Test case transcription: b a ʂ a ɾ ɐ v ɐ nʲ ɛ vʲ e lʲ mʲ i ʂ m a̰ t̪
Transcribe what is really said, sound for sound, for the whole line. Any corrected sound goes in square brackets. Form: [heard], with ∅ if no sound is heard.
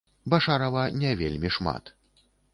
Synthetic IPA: b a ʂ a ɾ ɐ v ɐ nʲ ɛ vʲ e lʲ mʲ i ʂ m a̰ t̪